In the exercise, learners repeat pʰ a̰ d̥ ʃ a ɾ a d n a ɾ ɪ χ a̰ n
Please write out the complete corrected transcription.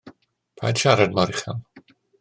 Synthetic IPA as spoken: pʰ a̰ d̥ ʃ a ɾ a d m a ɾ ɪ χ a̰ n